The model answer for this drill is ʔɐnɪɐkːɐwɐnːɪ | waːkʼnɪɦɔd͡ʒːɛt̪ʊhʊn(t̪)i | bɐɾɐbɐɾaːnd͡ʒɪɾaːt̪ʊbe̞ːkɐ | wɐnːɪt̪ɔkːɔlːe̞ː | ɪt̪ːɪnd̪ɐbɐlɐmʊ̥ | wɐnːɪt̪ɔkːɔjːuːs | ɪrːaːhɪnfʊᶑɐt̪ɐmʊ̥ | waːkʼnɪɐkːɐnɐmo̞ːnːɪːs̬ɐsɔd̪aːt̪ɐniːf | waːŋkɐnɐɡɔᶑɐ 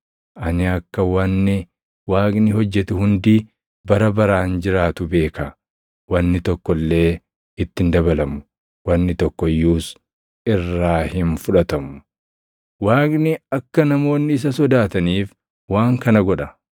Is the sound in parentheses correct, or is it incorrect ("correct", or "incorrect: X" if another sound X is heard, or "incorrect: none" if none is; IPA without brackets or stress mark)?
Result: incorrect: d̪